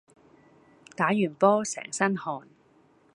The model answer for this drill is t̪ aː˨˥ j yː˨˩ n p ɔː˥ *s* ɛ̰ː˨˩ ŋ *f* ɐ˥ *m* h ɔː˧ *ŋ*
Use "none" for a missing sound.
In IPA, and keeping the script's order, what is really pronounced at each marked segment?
s, s, n, n

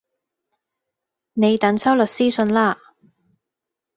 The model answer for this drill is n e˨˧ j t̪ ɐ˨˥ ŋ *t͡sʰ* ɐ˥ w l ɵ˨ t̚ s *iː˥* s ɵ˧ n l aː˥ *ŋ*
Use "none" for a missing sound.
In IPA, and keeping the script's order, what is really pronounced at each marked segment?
t͡sʰ, iː˥, none

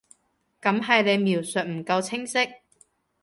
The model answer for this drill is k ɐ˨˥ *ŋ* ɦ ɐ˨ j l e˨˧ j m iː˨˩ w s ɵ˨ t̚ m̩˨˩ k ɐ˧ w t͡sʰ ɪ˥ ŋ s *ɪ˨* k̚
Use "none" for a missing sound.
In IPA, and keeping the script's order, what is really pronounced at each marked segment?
m, ɪ˥

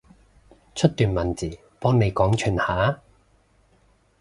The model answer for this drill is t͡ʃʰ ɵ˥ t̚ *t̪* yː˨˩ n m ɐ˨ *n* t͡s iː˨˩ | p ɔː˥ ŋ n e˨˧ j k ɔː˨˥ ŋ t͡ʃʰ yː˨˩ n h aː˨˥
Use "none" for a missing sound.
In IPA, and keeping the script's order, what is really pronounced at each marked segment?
t̪, n

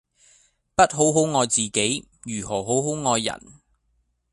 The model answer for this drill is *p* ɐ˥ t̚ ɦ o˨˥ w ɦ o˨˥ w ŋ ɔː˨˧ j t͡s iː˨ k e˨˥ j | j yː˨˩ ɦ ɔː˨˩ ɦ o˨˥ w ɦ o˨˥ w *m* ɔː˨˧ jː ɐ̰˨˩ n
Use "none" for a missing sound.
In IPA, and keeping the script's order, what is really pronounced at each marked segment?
p, ŋ

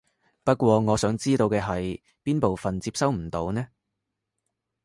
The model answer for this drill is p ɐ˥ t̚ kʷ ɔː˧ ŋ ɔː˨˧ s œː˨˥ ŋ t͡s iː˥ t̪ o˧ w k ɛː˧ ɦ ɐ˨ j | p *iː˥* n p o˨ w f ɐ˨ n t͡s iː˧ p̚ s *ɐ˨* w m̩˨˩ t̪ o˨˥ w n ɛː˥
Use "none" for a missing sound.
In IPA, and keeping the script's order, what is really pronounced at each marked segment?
iː˥, ɐ˥

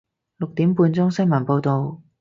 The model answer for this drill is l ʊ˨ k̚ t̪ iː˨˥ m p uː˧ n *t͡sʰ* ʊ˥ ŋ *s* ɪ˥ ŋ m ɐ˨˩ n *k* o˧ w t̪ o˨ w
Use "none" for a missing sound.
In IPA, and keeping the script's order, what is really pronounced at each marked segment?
t͡s, s, p

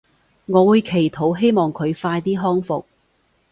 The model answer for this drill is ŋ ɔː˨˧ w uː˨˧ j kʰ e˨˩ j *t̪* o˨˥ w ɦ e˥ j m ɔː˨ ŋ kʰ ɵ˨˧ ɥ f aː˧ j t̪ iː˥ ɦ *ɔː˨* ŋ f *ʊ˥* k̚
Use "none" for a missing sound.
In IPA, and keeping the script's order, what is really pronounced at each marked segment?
t̪ʰ, ɔː˥, ʊ˨

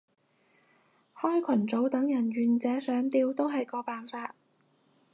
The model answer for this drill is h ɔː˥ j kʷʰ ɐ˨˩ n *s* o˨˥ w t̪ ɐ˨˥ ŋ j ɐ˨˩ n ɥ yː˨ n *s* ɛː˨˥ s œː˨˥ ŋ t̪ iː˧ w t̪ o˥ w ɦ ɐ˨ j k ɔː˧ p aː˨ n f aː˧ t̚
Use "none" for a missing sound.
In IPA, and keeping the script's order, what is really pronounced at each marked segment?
t͡s, t͡s

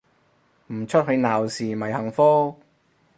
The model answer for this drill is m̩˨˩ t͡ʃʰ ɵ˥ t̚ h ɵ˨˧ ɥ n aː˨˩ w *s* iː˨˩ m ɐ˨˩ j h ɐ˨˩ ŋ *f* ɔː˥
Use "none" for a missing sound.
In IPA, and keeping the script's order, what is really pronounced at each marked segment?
s, f

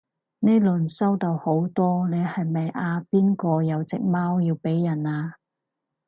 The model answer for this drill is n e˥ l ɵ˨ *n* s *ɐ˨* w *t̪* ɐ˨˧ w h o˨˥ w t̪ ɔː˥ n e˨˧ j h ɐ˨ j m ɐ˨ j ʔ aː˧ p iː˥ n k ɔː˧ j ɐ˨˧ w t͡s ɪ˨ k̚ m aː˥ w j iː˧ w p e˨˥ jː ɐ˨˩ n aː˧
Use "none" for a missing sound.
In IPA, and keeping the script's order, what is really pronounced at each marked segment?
n, ɐ˥, t̪

